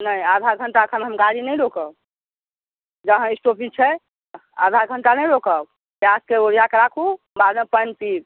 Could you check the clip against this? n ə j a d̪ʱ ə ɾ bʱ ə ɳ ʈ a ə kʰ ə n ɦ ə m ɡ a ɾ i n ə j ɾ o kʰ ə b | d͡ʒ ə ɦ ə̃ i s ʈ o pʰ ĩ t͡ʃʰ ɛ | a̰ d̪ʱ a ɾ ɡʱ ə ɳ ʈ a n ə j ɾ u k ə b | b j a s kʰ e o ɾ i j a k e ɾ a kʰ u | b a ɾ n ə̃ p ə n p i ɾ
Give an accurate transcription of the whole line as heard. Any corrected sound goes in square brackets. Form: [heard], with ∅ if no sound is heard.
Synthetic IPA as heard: n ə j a d̪ʱ [a] ɾ [ɡʱ] ə ɳ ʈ a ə kʰ ə n ɦ ə m ɡ a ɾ i n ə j ɾ o [k] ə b | d͡ʒ ə ɦ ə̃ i s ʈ o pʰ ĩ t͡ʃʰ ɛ | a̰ d̪ʱ a ɾ ɡʱ ə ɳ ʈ a n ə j ɾ [o] k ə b | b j a s [k] e o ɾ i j a k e ɾ a kʰ u | b a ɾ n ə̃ p ə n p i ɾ